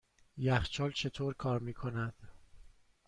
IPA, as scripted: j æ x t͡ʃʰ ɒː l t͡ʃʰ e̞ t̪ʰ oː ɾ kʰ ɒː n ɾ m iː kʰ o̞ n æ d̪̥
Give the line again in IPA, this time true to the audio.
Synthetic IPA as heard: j æ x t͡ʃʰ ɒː l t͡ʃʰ e̞ t̪ʰ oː ɾ kʰ ɒː ɾ m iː kʰ o̞ n æ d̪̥